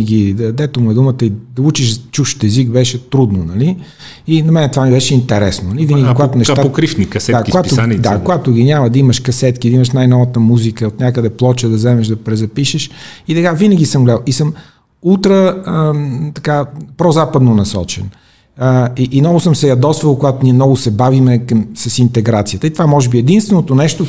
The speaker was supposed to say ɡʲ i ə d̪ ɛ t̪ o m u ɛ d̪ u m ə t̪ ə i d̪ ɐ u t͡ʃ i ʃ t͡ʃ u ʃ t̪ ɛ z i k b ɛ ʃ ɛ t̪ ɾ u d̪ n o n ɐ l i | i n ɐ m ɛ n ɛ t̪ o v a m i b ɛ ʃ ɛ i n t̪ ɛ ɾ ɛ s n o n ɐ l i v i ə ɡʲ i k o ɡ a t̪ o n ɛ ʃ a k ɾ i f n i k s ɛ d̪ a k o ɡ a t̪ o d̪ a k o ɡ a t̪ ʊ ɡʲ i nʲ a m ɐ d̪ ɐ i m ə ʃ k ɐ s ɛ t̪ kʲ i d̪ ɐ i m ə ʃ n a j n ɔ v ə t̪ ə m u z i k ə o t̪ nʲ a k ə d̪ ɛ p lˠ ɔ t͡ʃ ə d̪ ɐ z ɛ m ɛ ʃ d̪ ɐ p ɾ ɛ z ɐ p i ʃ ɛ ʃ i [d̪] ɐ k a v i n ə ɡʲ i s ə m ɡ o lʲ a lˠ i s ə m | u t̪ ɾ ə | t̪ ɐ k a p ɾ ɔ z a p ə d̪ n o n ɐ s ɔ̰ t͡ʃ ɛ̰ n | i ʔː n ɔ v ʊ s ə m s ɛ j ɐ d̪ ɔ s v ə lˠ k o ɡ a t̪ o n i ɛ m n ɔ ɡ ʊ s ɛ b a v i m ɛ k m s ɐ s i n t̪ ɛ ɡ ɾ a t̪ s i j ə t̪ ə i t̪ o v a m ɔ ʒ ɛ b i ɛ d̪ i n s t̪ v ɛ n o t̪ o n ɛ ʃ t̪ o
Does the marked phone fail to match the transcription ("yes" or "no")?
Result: yes